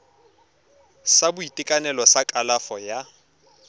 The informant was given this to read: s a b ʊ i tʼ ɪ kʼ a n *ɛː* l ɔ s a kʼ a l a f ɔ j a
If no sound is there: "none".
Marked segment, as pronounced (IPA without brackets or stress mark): ɛ